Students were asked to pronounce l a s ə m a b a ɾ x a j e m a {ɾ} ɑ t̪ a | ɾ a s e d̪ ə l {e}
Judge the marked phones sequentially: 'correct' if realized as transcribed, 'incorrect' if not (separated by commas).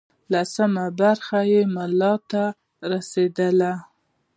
incorrect, incorrect